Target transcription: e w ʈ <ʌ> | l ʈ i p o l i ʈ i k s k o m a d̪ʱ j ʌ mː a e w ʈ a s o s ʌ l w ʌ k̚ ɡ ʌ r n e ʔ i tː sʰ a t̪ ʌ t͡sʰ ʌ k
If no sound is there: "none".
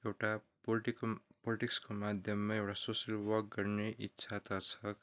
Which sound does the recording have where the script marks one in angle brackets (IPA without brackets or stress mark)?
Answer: a